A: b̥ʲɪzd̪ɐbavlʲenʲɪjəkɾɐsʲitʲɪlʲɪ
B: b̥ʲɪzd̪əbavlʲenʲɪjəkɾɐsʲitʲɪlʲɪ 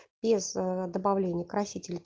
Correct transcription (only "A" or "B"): B